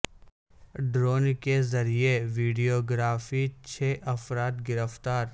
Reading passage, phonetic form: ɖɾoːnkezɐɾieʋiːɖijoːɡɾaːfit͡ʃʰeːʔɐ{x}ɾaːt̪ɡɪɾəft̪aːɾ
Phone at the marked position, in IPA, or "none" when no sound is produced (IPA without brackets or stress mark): f